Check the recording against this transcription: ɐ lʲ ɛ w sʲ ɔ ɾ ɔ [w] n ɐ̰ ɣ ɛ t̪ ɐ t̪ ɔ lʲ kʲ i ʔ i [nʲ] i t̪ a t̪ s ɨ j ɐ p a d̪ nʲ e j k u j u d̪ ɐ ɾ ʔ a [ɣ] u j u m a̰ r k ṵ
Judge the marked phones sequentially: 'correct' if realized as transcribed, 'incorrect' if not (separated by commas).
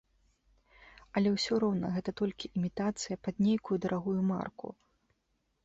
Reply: correct, incorrect, correct